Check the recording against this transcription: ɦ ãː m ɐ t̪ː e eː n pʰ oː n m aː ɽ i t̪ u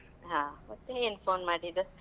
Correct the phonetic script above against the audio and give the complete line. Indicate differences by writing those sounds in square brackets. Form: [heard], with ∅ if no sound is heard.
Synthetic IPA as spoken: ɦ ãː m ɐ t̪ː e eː n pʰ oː n m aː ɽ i [d̪] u